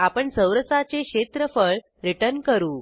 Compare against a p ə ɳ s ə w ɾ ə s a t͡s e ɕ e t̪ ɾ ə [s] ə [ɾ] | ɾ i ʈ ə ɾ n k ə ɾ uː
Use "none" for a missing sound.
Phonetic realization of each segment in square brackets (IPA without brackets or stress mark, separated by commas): f, ɭ